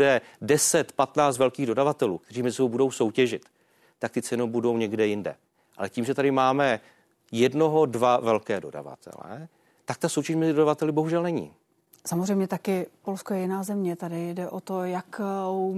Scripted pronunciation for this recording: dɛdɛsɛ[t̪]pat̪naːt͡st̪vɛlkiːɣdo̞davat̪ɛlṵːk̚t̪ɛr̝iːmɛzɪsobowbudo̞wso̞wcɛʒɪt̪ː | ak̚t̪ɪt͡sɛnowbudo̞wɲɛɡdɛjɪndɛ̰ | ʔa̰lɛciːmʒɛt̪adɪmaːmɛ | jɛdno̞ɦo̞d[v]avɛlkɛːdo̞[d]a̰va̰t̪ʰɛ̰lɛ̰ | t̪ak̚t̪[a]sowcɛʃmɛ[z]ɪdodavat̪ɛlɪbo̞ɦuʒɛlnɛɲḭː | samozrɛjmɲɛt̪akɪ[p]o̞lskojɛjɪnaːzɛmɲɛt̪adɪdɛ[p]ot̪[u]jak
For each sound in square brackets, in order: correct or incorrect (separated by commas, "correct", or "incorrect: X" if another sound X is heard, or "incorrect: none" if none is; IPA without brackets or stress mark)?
correct, correct, correct, correct, correct, correct, incorrect: ʔ, incorrect: o